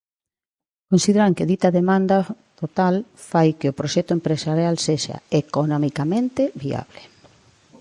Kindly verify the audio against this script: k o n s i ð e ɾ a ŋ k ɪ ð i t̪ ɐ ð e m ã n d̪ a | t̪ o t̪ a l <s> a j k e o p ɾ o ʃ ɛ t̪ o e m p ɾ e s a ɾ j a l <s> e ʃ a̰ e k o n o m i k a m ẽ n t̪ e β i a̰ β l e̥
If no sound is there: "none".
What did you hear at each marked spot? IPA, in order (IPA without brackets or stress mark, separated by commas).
f, s